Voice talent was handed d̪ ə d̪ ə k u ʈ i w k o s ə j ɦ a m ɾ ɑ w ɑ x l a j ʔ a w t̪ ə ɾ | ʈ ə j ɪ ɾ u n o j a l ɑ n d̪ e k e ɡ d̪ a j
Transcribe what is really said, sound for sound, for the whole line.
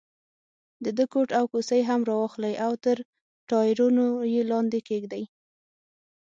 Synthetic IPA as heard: d̪ ə d̪ ə k o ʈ a w k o s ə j ɦ a m ɾ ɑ w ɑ x l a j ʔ a w t̪ ə ɾ | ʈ ɑ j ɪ ɾ u n o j e l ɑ n d̪ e k e ɡ d̪ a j